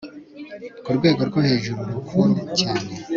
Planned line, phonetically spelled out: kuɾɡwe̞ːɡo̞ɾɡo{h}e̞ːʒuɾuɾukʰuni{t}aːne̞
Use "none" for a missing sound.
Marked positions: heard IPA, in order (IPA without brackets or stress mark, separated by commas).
h, c